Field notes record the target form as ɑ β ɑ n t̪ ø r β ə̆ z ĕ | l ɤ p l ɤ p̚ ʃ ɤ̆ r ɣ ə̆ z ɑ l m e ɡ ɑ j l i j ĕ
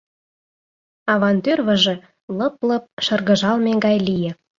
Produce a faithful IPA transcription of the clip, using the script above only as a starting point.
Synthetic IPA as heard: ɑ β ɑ n t̪ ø r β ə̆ ʒ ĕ | l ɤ p l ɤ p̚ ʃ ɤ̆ r ɣ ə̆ ʒ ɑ l m e ɡ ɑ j l i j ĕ